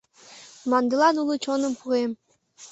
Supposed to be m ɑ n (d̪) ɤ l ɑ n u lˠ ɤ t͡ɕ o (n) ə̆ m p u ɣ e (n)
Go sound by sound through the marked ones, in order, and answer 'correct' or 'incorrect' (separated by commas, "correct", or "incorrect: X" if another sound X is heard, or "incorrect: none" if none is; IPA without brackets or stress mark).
correct, correct, incorrect: m